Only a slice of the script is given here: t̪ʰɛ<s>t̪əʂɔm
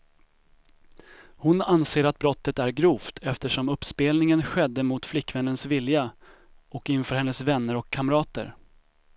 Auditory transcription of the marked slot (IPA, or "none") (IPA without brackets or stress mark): f